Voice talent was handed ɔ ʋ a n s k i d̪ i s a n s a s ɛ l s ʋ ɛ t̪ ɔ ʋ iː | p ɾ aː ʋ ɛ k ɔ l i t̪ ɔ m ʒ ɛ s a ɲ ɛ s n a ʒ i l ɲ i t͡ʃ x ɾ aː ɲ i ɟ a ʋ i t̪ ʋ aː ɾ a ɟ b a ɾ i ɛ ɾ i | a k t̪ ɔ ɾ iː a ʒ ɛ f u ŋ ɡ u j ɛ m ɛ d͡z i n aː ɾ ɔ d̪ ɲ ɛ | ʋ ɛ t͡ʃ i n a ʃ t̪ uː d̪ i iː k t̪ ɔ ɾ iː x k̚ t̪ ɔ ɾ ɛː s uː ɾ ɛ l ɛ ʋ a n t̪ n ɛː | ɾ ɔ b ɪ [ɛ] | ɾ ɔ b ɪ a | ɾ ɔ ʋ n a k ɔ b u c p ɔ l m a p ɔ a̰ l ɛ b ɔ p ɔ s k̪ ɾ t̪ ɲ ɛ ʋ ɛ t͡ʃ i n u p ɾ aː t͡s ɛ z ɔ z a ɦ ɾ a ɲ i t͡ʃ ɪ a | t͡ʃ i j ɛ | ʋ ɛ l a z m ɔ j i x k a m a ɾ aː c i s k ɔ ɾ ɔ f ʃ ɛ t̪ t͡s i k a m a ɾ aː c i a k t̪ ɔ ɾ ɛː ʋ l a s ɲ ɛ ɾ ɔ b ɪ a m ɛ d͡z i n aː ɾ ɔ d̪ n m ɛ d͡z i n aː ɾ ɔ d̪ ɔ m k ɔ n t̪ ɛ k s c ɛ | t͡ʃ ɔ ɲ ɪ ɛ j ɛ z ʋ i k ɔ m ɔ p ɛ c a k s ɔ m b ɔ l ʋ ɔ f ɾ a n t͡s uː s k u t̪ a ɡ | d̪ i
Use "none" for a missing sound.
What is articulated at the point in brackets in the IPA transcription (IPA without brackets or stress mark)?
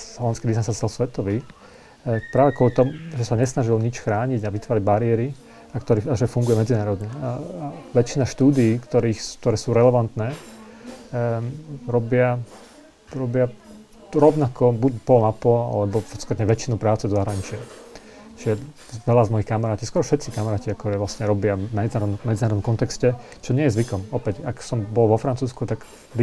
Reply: a